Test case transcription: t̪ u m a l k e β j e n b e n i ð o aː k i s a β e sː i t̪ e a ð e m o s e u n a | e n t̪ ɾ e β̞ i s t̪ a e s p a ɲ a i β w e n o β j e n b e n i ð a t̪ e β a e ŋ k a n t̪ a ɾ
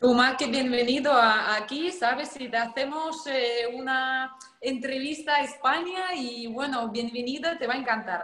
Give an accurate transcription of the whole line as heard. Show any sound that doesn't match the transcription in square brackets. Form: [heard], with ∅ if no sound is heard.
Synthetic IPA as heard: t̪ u m a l k e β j e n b e n i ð o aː k i s a β e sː i t̪ e a [θ] e m o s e u n a | e n t̪ ɾ e β̞ i s t̪ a e s p a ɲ a i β w e n o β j e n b e n i ð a t̪ e β a e ŋ k a n t̪ a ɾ

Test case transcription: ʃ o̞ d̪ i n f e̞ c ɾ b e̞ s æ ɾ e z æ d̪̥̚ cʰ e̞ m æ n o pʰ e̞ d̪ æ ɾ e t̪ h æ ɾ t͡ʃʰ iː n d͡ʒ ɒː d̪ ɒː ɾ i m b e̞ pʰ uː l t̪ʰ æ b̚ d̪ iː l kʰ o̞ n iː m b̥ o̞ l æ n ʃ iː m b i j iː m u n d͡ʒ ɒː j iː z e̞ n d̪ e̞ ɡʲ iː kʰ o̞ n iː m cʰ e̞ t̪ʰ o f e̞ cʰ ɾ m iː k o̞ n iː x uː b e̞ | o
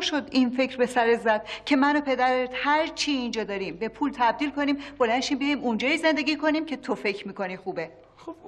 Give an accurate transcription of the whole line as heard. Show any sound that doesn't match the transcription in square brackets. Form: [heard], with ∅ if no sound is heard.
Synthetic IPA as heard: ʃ o̞ d̪ i n f e̞ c ɾ b e̞ s æ ɾ e z æ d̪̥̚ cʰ e̞ m æ n o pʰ e̞ d̪ æ ɾ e t̪ h æ ɾ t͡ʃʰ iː n d͡ʒ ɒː d̪ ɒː ɾ i m b e̞ pʰ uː l t̪ʰ æ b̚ d̪ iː l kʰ o̞ n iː m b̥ o̞ l æ n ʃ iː m b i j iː m u n d͡ʒ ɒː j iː z e̞ n d̪ e̞ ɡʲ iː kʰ o̞ n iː m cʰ e̞ t̪ʰ o f e̞ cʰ ɾ m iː k o̞ n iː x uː b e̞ | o

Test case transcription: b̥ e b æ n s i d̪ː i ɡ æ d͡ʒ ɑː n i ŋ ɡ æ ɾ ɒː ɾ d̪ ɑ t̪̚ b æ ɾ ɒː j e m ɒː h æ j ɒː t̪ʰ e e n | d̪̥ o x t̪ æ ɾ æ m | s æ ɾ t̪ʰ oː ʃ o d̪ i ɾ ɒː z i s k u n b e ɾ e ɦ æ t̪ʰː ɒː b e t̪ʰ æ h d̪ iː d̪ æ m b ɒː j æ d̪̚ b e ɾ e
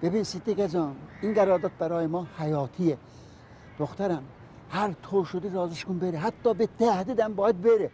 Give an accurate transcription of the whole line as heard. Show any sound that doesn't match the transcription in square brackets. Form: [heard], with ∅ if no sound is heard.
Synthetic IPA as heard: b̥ e b [i] n s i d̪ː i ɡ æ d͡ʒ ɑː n i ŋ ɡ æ ɾ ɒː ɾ d̪ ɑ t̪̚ b æ ɾ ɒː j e m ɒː h æ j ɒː t̪ʰ [i] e [∅] | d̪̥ o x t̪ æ ɾ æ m | [h] æ ɾ t̪ʰ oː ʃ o d̪ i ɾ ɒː z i [ʃ] k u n b e ɾ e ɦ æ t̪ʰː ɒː b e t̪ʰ æ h d̪ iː d̪ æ m b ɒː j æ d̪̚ b e ɾ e

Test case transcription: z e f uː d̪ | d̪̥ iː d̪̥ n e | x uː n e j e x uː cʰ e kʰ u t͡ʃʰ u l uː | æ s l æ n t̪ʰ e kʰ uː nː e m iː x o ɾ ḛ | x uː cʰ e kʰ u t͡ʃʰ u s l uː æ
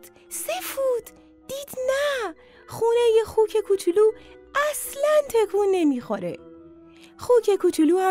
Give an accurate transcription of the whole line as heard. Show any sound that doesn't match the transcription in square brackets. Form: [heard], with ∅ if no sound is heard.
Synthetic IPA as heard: [s] e f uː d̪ | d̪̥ iː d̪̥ n [æ] | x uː n e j e x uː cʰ e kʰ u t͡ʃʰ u l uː | æ s l æ n t̪ʰ e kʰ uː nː e m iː x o ɾ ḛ | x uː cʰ e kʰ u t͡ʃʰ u [∅] l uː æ

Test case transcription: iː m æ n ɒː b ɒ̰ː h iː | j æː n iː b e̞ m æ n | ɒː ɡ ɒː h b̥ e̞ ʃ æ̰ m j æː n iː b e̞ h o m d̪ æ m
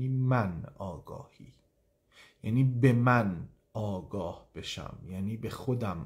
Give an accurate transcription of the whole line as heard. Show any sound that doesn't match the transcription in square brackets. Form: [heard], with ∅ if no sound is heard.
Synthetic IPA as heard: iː m æ n ɒː [ɡ] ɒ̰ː h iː | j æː n iː b e̞ m æ n | ɒː ɡ ɒː h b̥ e̞ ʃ æ̰ m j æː n iː b e̞ [x] o [∅] d̪ æ m

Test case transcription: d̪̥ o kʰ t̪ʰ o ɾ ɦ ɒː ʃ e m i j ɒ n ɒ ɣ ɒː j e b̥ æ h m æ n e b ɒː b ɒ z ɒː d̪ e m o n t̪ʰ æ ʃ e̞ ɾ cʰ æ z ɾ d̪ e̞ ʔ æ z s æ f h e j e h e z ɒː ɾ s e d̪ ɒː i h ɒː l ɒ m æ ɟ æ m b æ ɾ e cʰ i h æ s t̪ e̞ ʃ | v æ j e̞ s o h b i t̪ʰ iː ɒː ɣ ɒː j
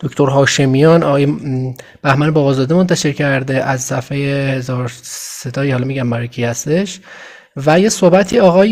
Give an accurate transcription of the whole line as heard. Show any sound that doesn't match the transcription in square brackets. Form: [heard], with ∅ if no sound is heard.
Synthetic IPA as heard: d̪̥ o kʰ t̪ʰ o ɾ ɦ ɒː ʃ e m i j ɒ n ɒ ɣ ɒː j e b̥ æ h m æ n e b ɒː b ɒ z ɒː d̪ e m o n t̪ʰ æ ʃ e̞ ɾ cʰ æ [∅] ɾ d̪ e̞ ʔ æ z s æ f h e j e h e z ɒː ɾ s e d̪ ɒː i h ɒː l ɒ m [i] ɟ æ m b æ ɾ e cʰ i h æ s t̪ e̞ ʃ | v æ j e̞ s o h b [æ] t̪ʰ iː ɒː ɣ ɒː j

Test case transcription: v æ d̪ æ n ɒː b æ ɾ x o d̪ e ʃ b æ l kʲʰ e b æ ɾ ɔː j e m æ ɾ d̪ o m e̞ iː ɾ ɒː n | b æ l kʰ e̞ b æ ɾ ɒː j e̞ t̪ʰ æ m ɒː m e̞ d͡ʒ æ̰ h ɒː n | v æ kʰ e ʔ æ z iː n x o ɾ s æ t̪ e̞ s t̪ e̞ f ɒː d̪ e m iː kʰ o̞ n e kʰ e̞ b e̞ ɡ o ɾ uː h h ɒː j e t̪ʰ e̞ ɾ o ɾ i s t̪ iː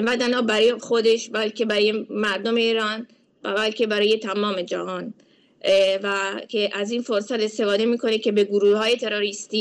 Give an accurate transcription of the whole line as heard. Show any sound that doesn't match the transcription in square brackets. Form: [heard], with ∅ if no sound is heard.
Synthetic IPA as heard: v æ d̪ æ n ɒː b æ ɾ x o d̪ e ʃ b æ l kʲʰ e b æ ɾ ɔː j e m æ ɾ d̪ o m e̞ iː ɾ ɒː n | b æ l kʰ e̞ b æ ɾ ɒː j e̞ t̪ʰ æ m ɒː m e̞ d͡ʒ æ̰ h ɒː n | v æ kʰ e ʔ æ z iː n [f] o ɾ s æ t̪ e̞ s t̪ e̞ f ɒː d̪ e m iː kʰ o̞ n e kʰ e̞ b e̞ ɡ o ɾ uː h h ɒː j e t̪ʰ e̞ ɾ o ɾ i s t̪ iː

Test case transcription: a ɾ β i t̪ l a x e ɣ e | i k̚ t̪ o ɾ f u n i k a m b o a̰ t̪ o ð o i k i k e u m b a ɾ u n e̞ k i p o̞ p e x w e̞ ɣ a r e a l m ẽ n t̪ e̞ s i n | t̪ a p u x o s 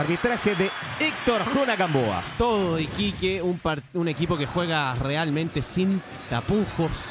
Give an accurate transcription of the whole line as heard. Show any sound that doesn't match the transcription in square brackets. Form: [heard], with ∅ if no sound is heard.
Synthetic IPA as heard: a ɾ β i t̪ [ɾ] a x e [ð] e | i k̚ t̪ o ɾ [x] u n [a] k a m b o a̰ t̪ o ð o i k i k e u m [p] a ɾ u n e̞ k i p o̞ [k] e x w e̞ ɣ a r e a l m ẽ n t̪ e̞ s i n | t̪ a p u x o s

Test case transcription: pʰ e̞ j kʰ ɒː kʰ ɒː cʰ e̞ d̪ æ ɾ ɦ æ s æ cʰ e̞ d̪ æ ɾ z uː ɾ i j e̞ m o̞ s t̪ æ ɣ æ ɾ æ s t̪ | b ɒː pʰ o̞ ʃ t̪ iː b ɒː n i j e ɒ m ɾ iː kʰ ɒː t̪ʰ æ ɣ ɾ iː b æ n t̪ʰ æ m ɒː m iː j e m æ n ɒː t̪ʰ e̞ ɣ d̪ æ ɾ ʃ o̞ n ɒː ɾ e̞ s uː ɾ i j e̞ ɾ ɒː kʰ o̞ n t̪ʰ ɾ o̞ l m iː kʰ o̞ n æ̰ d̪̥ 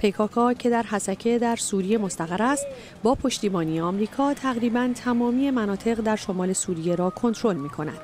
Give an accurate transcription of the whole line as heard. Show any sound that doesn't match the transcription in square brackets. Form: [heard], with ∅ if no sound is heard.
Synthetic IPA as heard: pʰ e̞ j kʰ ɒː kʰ ɒː cʰ e̞ d̪ æ ɾ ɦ æ s æ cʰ e̞ d̪ æ ɾ [s] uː ɾ i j e̞ m o̞ s t̪ æ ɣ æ ɾ æ s t̪ | b ɒː pʰ o̞ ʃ t̪ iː b ɒː n i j e ɒ m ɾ iː kʰ ɒː t̪ʰ æ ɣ ɾ iː b æ n t̪ʰ æ m ɒː m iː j e m æ n ɒː t̪ʰ e̞ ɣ d̪ æ ɾ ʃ o̞ [m] ɒː [l] e̞ s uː ɾ i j e̞ ɾ ɒː kʰ o̞ n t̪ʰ ɾ o̞ l m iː kʰ o̞ n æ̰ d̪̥

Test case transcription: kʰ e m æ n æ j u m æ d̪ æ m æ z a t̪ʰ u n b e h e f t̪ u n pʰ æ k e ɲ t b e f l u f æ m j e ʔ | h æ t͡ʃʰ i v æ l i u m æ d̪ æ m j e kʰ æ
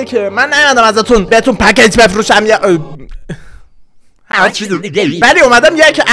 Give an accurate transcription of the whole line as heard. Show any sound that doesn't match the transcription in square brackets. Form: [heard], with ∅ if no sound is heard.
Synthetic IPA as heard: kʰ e m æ [nː] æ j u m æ d̪ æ m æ z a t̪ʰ u n b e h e [∅] t̪ u n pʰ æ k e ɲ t b e f [ɾ] u [ʃ] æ m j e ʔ | h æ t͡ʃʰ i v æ l i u m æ d̪ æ m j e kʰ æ

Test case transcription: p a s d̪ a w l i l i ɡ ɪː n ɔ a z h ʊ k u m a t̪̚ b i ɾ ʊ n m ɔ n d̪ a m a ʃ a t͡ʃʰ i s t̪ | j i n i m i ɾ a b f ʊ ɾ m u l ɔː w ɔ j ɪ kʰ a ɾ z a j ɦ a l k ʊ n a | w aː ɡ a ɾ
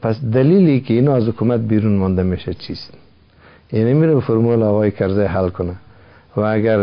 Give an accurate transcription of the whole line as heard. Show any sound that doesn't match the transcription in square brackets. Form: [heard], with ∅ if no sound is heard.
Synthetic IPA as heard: p a s d̪ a [∅] l i l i [k] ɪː n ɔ a z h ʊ k u m a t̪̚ b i ɾ [u] n m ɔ n d̪ a m [e] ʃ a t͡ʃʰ i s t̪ | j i n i m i ɾ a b f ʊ ɾ m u l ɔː [ɣ] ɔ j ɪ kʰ a ɾ z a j ɦ a l k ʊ n a | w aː ɡ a ɾ

